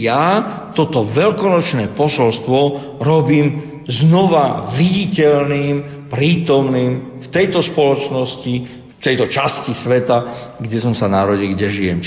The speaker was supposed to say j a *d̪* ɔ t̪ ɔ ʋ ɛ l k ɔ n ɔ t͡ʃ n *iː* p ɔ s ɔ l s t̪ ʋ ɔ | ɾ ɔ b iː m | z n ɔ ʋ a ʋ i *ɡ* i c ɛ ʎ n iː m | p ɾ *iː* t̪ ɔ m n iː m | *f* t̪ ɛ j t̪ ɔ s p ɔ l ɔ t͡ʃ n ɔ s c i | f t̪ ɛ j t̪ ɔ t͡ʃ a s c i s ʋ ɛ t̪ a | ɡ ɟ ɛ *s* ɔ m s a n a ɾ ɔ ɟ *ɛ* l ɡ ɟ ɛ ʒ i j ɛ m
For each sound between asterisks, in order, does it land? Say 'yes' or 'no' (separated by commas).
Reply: no, no, no, yes, yes, yes, no